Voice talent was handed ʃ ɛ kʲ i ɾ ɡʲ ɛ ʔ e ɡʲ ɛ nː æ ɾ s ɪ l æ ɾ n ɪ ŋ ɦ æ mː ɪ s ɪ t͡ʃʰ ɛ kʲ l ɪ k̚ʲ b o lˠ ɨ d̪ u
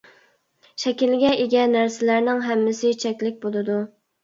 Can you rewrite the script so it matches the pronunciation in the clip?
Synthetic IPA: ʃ ɛ kʲ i l ɡʲ ɛ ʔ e ɡʲ ɛ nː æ ɾ s ɪ l æ ɾ n ɪ ŋ ɦ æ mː ɪ s ɪ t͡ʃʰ ɛ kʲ l ɪ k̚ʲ b o lˠ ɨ d̪ u